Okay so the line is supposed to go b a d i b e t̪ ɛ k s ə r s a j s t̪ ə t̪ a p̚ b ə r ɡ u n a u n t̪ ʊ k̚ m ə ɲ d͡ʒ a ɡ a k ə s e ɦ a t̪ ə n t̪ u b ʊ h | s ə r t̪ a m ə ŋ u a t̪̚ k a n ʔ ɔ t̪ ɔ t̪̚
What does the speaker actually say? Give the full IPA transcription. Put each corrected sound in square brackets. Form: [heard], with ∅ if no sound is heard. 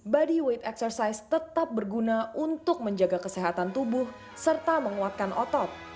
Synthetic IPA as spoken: b a d i [w] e t̪ ɛ k s ə r s a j s t̪ ə t̪ a p̚ b ə r ɡ u n a u n t̪ ʊ k̚ m ə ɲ d͡ʒ a ɡ a k ə s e ɦ a t̪ [a] n t̪ u b ʊ h | s ə r t̪ a m ə ŋ u a t̪̚ k a n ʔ ɔ t̪ ɔ t̪̚

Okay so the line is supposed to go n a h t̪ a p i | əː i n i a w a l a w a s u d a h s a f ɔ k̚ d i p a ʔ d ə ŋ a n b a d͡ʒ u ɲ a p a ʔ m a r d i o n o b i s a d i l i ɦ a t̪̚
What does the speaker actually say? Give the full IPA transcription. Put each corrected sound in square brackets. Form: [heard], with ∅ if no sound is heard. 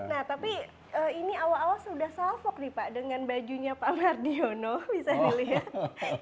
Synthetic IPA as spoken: n a h t̪ a p i | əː i n i a w a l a w a s u d a h s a f ɔ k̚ d i p a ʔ d ə ŋ a n b a d͡ʒ u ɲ a p a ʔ m a r d i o n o b i s a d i l i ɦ a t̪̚

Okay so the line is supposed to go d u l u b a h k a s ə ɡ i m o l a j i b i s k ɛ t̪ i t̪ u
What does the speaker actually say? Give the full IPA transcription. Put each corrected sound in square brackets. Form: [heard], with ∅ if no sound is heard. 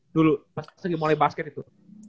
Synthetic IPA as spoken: d u l u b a [s] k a s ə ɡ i m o l a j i b [a] s k ɛ t̪ i t̪ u

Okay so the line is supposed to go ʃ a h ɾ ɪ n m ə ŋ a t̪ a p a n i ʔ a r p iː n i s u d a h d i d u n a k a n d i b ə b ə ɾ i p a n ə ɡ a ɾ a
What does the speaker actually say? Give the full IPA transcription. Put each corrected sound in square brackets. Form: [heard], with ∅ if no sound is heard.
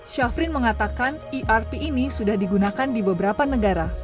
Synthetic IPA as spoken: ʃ a [f] ɾ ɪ n m ə ŋ a t̪ a [k] a n i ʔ a r p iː n i s u d a h d i [ɡ] u n a k a n d i b ə b ə ɾ [a] p a n ə ɡ a ɾ a

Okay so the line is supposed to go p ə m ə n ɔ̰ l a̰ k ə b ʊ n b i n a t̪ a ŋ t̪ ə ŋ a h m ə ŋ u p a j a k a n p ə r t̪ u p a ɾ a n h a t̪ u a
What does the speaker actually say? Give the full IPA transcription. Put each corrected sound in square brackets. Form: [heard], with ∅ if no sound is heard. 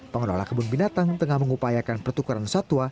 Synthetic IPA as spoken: p ə [ŋ] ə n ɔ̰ l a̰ k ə b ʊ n b i n a t̪ a ŋ t̪ ə ŋ a h m ə ŋ u p a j a k a n p ə r t̪ u [k] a ɾ a n [s] a t̪ u a

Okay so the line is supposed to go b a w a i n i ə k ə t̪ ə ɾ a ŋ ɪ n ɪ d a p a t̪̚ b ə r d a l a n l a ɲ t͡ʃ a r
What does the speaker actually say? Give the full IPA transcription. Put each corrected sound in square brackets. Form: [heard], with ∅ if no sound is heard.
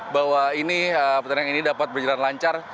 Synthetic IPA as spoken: b a w a i n i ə [p] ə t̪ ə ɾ a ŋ [i] n [i] d a p a t̪̚ b ə r [d͡ʒ] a l a n l a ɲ t͡ʃ a r

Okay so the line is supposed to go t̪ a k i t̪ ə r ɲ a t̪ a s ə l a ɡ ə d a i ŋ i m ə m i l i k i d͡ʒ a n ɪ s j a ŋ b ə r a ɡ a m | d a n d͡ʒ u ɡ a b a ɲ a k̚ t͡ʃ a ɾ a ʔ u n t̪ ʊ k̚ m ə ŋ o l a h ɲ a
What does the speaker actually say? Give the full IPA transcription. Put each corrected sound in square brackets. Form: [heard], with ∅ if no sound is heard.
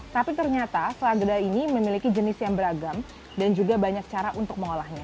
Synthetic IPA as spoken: t̪ a [p] i t̪ ə r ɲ a t̪ a s ə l a ɡ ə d a i [n] i m ə m i l i k i d͡ʒ [ə] n ɪ s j a ŋ b ə [ɾ] a ɡ a m | d a n d͡ʒ u ɡ a b a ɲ a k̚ t͡ʃ a ɾ a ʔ u n t̪ ʊ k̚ m ə ŋ o l a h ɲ a

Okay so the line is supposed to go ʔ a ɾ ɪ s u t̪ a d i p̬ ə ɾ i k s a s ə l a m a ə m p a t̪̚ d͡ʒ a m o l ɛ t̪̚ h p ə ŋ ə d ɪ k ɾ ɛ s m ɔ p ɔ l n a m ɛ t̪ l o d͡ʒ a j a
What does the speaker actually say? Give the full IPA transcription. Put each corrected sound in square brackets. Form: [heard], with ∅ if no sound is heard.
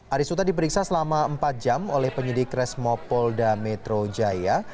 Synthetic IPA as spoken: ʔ a ɾ [i] s u t̪ a d i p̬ ə ɾ i k s a s ə l a m a ə m p a t̪̚ d͡ʒ a m o l ɛ [∅] h p ə [ɲ] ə d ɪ k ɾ ɛ s m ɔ p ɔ l [d] a m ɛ t̪ [ɾ] o d͡ʒ a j a

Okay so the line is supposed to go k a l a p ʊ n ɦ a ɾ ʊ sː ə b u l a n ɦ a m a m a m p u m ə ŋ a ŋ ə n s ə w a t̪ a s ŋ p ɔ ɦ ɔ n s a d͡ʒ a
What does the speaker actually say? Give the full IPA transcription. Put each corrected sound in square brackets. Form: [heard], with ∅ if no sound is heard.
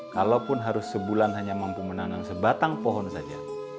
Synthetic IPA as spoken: k a l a p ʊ n ɦ a ɾ ʊ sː ə b u l a n ɦ a [ɲ] a m a m p u m ə [n] a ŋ [a] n s ə [b] a t̪ a [∅] ŋ p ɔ ɦ ɔ n s a d͡ʒ a

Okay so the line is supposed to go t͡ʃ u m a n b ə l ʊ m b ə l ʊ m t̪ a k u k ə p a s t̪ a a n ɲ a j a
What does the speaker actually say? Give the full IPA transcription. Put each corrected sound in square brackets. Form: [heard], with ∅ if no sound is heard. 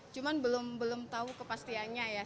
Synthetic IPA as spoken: t͡ʃ u m a n b ə l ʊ m b ə l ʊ m t̪ a [∅] u k ə p a s t̪ [i] a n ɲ a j a

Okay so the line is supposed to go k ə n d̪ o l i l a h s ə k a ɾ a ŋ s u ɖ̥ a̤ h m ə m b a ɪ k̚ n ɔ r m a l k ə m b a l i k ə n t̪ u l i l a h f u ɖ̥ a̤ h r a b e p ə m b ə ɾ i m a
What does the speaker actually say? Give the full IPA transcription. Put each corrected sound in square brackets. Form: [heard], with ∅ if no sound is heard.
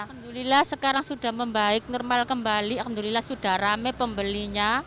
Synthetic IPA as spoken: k ə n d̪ [u] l i l a h s ə k a ɾ a ŋ s u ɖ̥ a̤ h m ə m b a ɪ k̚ n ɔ r m a l k ə m b a l i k ə n [d̪] u l i l a h [s] u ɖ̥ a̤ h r a [m] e p ə m b ə [l] i [ɲ] a

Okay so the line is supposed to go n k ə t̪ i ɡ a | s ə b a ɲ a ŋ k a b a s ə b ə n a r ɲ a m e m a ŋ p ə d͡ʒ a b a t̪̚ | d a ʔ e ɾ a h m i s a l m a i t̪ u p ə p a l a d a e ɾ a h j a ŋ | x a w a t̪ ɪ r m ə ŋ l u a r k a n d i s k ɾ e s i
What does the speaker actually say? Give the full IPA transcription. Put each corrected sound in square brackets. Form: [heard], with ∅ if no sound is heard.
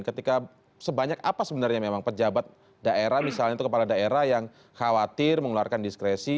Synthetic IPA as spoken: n k ə t̪ i [k] a | s ə b a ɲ a [∅] k a [p] a s ə b ə n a r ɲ a m e m a ŋ p ə d͡ʒ a b a t̪̚ | d a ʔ e ɾ a h m i s a l [ɲ] a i t̪ u [k] ə p a l a d a e ɾ a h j a ŋ | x a w a t̪ ɪ r m ə ŋ l u a r k a n d i s k ɾ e s i

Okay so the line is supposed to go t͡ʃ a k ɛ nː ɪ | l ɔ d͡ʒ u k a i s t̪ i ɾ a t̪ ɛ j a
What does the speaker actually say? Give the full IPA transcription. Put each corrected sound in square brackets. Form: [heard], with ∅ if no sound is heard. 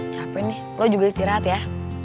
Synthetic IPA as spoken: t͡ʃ a [p] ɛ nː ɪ | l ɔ d͡ʒ u [ɡ] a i s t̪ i ɾ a t̪ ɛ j a

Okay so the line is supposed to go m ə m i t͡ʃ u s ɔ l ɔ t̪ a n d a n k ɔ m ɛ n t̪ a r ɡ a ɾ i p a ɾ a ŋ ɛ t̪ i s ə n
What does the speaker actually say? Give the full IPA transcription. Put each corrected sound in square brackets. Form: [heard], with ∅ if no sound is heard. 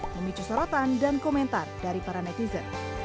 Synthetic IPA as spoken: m ə m i t͡ʃ u s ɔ [ɾ] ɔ t̪ a n d a n k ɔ m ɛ n t̪ a r [d] a ɾ i p a ɾ a [n] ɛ t̪ i [z] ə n

